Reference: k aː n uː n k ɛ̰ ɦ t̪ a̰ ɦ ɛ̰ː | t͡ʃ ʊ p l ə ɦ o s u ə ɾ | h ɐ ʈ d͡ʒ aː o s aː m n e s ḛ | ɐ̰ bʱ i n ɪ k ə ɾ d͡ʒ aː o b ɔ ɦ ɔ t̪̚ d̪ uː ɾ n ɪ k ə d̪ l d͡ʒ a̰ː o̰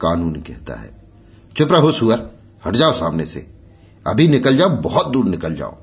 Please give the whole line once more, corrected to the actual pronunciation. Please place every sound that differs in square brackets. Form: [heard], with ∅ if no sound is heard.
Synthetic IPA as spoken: k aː n uː n k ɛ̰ ɦ t̪ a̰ ɦ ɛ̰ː | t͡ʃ ʊ p [ɾ] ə ɦ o s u ə ɾ | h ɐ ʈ d͡ʒ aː o s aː m n e s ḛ | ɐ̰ bʱ i n ɪ k ə [l] d͡ʒ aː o b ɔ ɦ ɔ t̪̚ d̪ uː ɾ n ɪ k ə [∅] l d͡ʒ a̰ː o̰